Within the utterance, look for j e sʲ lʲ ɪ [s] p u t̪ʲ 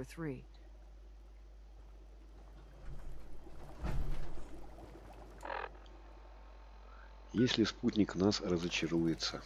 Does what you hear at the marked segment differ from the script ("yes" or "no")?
no